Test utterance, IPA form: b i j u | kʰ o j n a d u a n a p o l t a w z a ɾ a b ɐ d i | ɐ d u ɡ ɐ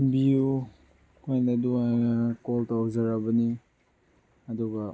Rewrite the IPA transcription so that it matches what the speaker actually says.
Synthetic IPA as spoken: b i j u | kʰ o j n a d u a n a k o l t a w z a ɾ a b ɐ n i | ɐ d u ɡ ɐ